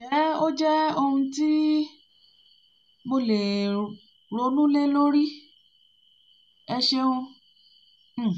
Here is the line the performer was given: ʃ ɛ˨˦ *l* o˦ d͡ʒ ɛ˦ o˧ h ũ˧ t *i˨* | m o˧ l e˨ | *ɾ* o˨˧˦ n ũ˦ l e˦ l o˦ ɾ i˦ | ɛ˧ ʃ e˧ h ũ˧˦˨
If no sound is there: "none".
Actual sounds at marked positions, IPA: none, i˦, ɾ

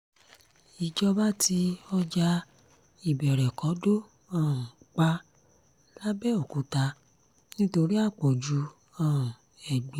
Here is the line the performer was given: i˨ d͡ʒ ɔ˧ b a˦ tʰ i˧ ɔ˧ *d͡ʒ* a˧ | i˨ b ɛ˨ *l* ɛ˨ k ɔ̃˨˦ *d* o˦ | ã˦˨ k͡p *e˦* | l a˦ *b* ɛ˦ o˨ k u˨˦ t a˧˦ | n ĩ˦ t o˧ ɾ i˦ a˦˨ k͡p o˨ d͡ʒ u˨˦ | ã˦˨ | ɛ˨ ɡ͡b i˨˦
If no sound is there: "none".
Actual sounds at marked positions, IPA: d͡ʒ, ɾ, d, a˦, b

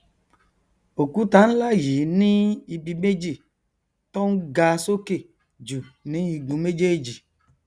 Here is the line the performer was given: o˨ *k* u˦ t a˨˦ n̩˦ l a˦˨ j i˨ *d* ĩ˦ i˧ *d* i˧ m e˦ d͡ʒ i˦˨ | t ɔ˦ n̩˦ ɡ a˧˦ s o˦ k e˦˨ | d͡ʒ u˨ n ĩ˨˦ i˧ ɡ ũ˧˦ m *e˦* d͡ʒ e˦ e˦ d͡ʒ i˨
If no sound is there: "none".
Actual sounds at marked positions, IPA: k, n, b, e˦

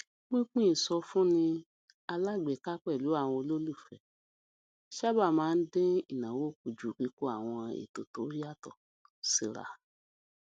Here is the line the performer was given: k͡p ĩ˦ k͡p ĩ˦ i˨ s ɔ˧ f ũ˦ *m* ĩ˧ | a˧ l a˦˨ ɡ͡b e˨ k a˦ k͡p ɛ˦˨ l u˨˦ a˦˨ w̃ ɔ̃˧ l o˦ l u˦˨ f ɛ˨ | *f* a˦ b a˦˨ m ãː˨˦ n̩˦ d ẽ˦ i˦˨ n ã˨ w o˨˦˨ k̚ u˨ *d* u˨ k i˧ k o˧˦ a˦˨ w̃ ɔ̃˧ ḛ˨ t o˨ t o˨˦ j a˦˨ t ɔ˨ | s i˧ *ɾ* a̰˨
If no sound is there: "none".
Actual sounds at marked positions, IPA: n, ʃ, d͡ʒ, ɾ

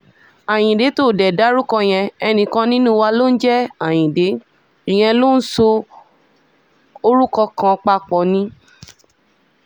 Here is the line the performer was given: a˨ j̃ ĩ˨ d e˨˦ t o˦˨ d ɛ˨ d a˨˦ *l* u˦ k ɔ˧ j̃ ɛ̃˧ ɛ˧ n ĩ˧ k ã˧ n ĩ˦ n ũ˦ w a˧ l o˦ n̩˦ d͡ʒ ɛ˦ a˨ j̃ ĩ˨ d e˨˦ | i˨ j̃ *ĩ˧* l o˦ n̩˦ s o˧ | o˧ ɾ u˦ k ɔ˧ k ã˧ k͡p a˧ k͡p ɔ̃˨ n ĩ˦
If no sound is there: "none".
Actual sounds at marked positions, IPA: ɾ, ɛ̃˧

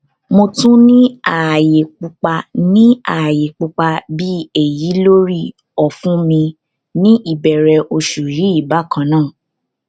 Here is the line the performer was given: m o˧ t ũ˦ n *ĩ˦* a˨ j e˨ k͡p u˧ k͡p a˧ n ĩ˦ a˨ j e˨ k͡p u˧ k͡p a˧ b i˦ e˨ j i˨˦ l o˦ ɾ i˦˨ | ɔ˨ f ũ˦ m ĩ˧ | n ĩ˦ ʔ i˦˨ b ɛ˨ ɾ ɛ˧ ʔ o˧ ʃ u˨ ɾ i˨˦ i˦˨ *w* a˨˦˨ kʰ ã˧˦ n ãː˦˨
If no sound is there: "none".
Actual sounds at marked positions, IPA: ĩ˦, b

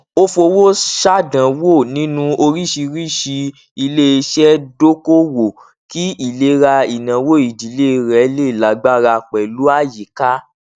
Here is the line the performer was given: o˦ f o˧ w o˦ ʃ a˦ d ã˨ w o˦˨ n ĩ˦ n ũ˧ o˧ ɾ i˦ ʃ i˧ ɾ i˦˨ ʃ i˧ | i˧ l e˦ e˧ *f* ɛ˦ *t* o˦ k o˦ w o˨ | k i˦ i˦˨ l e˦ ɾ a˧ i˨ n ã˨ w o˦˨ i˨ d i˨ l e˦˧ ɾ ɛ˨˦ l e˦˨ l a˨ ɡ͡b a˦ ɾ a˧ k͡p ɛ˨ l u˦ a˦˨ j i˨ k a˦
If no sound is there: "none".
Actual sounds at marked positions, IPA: ʃ, d

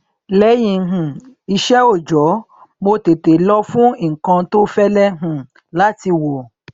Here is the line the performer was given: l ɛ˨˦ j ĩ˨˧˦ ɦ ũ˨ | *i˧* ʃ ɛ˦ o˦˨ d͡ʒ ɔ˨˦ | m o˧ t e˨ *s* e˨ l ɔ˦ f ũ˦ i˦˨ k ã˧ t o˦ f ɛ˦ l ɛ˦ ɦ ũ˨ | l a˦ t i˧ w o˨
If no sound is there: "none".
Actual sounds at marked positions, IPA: i˧, t

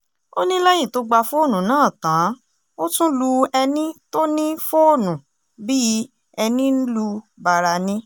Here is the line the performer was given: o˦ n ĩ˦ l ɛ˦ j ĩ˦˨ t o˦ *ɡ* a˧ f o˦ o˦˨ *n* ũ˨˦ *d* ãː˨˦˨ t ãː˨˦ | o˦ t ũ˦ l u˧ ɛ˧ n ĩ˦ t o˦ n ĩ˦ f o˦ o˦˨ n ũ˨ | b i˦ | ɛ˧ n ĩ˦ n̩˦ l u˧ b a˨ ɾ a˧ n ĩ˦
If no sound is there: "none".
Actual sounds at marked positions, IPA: ɡ͡b, n, n

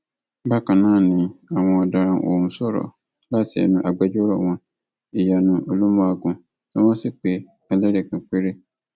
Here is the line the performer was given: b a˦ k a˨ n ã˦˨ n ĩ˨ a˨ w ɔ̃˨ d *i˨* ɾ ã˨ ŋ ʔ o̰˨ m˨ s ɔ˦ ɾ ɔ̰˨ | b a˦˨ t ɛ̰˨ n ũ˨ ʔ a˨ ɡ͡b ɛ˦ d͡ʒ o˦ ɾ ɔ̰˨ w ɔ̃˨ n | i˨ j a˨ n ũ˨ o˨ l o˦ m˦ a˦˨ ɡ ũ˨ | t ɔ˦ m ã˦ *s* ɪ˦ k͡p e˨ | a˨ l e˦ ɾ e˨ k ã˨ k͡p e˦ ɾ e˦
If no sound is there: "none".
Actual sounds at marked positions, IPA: a˨, s

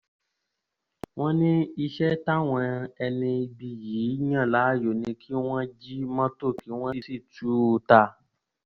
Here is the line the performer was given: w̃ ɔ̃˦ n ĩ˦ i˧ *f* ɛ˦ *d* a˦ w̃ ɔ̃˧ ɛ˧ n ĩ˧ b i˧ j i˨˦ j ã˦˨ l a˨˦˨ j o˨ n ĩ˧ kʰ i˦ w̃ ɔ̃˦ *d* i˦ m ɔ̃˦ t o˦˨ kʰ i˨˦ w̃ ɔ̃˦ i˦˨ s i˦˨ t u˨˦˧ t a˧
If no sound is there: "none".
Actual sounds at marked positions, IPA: ʃ, t, d͡ʒ

